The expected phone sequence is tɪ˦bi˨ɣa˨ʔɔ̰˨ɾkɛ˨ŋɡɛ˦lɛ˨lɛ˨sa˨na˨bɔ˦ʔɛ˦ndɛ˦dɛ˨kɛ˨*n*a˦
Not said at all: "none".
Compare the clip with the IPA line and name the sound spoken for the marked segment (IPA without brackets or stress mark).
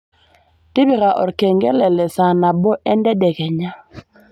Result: ɲ